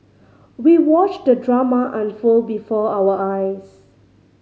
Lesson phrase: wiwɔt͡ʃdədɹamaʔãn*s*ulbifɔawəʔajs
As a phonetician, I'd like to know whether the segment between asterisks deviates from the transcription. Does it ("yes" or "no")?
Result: yes